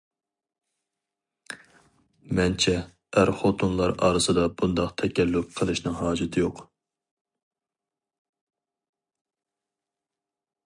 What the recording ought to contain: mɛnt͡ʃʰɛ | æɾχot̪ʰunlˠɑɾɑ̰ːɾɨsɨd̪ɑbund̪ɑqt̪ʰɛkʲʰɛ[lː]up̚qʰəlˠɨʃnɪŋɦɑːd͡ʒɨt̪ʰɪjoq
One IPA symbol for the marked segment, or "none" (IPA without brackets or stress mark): lː